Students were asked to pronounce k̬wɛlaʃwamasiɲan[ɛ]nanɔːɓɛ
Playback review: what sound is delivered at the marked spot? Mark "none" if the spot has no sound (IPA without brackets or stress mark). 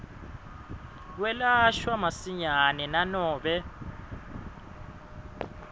ɛ